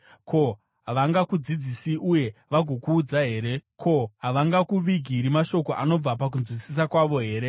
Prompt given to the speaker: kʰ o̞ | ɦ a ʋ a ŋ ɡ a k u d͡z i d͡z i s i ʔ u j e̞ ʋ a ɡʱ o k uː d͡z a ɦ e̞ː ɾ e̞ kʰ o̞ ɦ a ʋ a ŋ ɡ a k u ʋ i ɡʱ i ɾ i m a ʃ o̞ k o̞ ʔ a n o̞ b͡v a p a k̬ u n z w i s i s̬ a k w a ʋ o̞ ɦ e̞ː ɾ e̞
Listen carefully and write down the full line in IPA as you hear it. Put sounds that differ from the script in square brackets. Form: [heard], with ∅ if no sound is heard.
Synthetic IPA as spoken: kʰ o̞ | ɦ a ʋ a ŋ ɡ a k u d͡z i d͡z i s i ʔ u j e̞ ʋ a ɡʱ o k uː d͡z a ɦ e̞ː ɾ e̞ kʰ o̞ ɦ a ʋ a ŋ ɡ a k u ʋ i ɡʱ i ɾ i m a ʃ o̞ k o̞ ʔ a n o̞ b͡v a p a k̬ u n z w i s i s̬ a k w a ʋ o̞ ɦ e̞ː ɾ e̞